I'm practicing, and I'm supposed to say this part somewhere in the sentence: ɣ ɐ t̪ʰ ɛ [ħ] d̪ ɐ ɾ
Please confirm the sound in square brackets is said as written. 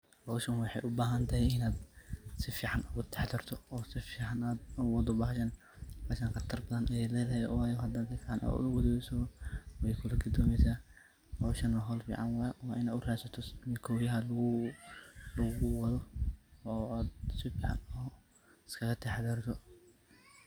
yes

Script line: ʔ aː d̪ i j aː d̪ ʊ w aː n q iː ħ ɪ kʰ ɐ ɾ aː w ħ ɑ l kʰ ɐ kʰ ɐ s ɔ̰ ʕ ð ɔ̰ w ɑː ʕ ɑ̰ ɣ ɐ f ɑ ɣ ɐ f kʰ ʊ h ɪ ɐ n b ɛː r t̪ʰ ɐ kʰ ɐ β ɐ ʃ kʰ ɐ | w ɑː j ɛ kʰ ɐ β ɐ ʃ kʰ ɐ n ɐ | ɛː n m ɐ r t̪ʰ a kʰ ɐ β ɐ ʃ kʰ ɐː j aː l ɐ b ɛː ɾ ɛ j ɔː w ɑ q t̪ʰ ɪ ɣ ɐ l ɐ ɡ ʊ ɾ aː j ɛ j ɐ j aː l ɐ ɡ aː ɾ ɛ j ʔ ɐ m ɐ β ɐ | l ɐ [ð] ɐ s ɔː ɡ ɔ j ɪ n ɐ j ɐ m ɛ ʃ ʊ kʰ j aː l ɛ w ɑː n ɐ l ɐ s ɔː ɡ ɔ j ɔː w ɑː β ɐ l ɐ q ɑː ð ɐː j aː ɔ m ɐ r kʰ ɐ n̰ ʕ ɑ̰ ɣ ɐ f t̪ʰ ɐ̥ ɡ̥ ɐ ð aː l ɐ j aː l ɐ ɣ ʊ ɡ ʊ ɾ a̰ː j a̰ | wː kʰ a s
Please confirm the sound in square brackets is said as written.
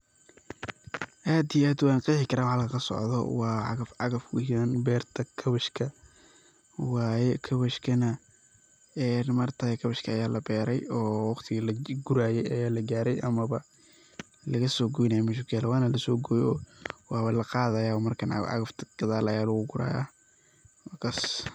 no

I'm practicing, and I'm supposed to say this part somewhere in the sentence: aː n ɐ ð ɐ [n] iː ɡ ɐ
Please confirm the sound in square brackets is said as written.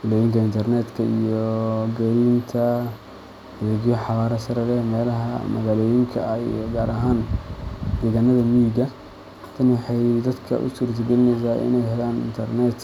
no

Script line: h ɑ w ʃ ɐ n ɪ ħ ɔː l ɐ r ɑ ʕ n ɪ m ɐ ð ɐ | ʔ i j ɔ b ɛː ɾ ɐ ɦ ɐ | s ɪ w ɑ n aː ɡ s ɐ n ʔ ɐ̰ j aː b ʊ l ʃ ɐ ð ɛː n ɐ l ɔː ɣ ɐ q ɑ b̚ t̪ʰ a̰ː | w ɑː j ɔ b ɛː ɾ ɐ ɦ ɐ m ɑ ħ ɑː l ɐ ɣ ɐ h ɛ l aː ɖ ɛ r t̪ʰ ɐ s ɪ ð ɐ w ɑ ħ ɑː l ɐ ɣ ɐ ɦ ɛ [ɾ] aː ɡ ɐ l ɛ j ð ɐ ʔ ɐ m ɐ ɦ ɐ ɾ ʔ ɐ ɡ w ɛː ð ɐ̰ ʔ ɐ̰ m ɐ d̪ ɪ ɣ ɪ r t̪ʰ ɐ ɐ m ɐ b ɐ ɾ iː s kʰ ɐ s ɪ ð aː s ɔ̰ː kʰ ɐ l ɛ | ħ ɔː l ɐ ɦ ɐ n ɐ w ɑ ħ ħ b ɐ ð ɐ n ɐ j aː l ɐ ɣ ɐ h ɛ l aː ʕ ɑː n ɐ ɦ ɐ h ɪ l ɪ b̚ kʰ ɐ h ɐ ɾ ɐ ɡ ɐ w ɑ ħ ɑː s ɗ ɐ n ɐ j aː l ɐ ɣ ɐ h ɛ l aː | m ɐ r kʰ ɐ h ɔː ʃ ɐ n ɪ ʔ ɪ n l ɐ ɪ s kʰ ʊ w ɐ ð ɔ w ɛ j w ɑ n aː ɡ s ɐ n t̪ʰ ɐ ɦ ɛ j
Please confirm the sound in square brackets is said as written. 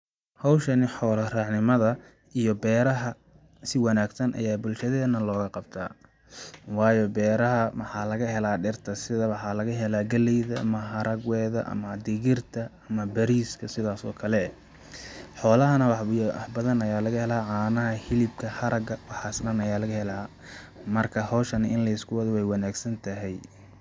no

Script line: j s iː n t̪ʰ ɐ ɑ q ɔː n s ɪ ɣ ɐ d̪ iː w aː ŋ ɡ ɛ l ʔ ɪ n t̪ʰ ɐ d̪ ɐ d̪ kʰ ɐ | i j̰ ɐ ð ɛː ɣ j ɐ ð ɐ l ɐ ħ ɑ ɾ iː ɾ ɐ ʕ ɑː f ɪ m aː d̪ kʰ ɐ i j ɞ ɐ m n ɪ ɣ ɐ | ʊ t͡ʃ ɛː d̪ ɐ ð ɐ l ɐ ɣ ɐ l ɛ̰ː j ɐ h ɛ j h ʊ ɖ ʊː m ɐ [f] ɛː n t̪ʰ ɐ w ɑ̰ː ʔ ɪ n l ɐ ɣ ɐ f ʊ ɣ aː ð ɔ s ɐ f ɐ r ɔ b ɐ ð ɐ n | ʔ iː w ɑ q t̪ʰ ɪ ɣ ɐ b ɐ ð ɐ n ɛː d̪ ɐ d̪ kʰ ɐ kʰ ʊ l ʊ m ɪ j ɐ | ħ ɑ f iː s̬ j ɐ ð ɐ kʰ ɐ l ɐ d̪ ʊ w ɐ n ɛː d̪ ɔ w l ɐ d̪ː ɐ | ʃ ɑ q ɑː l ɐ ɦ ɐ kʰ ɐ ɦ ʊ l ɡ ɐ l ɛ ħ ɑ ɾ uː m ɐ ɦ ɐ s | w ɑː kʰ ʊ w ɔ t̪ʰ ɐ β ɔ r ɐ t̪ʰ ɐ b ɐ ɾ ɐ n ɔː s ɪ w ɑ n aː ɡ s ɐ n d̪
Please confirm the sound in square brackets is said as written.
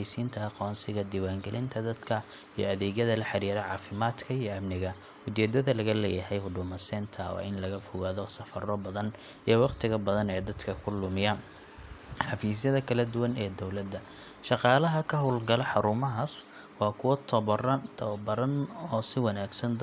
no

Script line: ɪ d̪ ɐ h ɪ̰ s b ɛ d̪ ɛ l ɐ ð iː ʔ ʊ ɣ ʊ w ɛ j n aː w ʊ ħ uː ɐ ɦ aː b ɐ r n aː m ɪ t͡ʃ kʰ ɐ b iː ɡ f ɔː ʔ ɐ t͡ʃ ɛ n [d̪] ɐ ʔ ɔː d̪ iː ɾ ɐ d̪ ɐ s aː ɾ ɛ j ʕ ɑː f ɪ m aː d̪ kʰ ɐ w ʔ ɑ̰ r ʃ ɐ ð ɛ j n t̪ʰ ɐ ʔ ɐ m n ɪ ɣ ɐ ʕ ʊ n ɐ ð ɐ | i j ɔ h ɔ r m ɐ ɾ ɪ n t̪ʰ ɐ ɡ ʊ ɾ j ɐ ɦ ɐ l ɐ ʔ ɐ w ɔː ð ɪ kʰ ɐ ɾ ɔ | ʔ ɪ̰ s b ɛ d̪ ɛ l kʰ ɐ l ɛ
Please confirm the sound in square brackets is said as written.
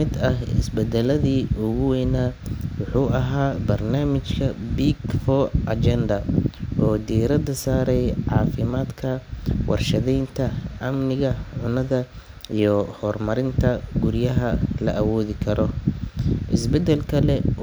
yes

